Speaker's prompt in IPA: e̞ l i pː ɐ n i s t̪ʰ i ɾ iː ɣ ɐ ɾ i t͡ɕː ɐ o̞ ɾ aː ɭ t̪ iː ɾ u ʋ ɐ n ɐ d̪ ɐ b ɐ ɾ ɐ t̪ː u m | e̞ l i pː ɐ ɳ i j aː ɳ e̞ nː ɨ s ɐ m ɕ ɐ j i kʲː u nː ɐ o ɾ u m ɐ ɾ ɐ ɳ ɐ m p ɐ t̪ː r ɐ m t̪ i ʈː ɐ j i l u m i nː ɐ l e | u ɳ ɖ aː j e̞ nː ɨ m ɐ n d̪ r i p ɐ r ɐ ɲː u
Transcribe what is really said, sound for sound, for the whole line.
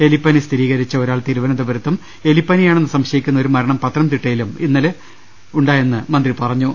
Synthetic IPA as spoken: e̞ l i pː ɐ n i s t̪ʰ i ɾ iː ɣ ɐ ɾ i t͡ɕː ɐ o̞ ɾ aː ɭ t̪ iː ɾ u ʋ ɐ n ɐ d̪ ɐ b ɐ ɾ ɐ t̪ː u m | e̞ l i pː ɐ n i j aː ɳ e̞ nː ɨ s ɐ m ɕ ɐ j i kʲː u nː ɐ o ɾ u m ɐ ɾ ɐ ɳ ɐ m p ɐ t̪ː r ɐ m t̪ i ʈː ɐ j i l u m i nː ɐ l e | u ɳ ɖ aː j e̞ nː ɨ m ɐ n d̪ r i p ɐ r ɐ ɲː u